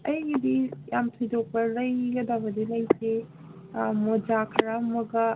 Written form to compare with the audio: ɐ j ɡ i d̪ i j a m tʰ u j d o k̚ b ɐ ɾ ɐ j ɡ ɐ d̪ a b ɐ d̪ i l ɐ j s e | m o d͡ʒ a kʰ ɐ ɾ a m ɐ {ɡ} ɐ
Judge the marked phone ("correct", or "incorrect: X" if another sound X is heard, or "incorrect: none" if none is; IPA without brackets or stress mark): correct